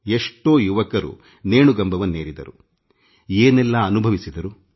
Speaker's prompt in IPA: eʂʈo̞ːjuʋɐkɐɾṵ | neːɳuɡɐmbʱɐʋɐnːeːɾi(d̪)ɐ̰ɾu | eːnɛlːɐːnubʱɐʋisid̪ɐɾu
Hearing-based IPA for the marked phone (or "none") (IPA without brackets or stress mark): d̪